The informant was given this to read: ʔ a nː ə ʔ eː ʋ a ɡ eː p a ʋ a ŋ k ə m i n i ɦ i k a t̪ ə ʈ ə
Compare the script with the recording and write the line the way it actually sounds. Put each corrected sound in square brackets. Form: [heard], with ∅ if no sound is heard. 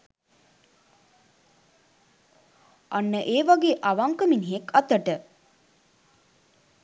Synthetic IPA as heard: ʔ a nː ə ʔ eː ʋ a ɡ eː [ʔ] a ʋ a ŋ k ə m i n i ɦ [e] k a t̪ ə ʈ ə